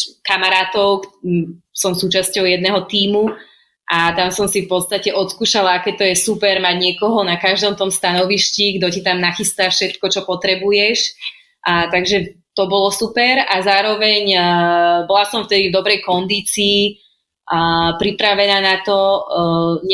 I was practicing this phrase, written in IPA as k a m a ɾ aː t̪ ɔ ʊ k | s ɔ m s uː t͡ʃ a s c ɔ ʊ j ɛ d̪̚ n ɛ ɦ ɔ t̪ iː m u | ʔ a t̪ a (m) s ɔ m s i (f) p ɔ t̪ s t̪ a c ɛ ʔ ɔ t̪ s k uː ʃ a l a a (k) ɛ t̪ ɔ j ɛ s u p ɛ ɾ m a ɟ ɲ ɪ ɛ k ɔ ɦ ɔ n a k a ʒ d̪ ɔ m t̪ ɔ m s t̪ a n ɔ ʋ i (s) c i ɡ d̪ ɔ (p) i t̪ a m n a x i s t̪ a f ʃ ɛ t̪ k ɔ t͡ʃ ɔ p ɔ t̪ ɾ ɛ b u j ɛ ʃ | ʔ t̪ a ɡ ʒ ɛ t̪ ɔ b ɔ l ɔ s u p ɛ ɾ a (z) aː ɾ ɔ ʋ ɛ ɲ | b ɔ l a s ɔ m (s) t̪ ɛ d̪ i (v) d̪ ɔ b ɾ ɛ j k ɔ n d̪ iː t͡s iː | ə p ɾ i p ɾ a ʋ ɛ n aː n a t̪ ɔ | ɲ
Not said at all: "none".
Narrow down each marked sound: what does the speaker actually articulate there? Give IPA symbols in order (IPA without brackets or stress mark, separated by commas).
m, f, k, ʃ, c, z, f, v